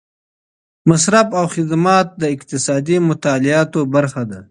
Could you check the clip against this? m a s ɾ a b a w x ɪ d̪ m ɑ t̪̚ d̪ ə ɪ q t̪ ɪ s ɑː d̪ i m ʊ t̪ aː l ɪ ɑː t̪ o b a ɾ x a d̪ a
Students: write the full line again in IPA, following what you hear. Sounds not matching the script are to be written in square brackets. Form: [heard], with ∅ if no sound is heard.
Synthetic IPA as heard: m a s ɾ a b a w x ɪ d̪ m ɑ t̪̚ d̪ ə ɪ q t̪ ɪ s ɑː d̪ i m ʊ t̪ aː l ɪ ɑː t̪ o b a ɾ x a d̪ a

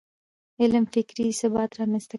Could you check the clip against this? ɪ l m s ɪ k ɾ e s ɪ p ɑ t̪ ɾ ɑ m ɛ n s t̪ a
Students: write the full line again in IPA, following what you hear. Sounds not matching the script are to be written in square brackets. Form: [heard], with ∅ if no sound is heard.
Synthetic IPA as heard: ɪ l m [f] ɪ k ɾ [i] s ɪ [b] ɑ t̪ ɾ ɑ m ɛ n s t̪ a

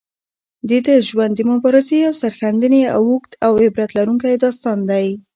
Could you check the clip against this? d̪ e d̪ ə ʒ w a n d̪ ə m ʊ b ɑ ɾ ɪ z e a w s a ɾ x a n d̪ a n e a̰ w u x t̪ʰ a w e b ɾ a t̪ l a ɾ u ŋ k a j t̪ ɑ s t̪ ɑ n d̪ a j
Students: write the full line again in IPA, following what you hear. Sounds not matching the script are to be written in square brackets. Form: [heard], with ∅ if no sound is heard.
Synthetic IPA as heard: d̪ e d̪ ə ʒ w a n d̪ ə m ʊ b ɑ ɾ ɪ z e a w s a ɾ x a n d̪ [ə] n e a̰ w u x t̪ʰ a w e b ɾ a t̪ l a ɾ u ŋ k a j [d̪] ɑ s t̪ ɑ n d̪ a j

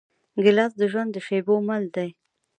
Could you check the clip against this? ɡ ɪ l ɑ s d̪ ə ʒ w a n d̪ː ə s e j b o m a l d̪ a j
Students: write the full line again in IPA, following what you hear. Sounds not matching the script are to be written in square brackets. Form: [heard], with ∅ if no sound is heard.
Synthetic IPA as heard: ɡ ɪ l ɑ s d̪ ə ʒ w a n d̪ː ə [ʃ] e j b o m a l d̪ a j

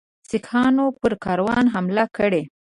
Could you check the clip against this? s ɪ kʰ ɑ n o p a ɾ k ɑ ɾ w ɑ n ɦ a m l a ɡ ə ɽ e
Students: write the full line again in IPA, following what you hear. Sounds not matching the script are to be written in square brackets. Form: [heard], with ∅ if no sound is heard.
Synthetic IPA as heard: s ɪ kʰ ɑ n o p [ə] ɾ k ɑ ɾ w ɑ n ɦ a m l a [k] ə ɽ e

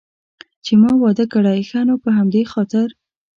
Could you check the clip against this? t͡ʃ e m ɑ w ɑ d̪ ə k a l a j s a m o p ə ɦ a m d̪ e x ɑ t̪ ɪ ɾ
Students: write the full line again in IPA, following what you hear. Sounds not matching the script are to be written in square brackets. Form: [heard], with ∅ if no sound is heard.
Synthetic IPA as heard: t͡ʃ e m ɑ w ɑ d̪ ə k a [ɽ] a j [x] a [n] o p ə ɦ a m d̪ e x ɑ t̪ ɪ ɾ

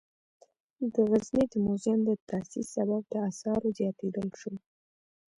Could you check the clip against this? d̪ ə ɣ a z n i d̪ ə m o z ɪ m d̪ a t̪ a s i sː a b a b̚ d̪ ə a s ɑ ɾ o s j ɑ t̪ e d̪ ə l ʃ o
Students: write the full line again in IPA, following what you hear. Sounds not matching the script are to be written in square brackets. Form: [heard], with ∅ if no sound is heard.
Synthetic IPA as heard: d̪ ə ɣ a z n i d̪ ə m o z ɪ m d̪ [ə] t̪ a s i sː a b a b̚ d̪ ə a s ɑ ɾ o [z] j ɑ t̪ e d̪ ə l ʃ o

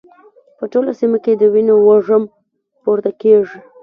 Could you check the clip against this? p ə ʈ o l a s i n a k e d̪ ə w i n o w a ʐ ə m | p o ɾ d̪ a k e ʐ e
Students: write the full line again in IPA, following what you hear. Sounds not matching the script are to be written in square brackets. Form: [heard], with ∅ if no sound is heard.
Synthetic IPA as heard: p ə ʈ o l a s i [m] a k e d̪ ə w i n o w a ʐ ə m | p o ɾ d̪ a k e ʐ [i]

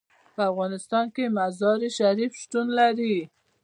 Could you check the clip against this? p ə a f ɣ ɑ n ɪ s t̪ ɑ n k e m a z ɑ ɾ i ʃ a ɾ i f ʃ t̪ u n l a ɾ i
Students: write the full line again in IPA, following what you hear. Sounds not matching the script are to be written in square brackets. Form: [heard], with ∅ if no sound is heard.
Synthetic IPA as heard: p ə a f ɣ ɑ n ɪ s t̪ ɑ n k e m a z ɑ ɾ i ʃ a ɾ i f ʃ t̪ u n l a ɾ i

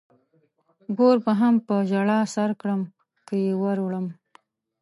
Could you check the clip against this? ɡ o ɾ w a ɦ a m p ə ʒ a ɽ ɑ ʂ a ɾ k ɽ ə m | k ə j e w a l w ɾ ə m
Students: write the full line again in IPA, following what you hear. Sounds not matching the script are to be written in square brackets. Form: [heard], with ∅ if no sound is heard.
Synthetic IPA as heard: ɡ o ɾ [b] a ɦ a m p ə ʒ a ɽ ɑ [s] a ɾ k ɽ ə m | k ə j e w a [ɾ] w [ɽ] ə m

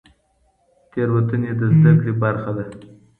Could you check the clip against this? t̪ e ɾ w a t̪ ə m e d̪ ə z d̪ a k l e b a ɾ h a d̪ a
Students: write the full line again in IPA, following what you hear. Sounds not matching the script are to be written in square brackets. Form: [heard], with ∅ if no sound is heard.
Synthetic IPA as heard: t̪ e ɾ w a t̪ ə [n] e d̪ ə z d̪ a k [ɽ] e b a ɾ [x] a d̪ a

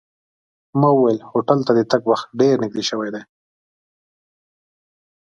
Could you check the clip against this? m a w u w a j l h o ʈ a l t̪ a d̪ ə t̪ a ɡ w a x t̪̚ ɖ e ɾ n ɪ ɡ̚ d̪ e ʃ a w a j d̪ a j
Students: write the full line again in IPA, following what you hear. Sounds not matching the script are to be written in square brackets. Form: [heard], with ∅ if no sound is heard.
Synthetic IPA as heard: m a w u w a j l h o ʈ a l t̪ a d̪ ə t̪ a ɡ w a x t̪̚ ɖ e ɾ n ɪ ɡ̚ d̪ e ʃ [ə] w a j d̪ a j

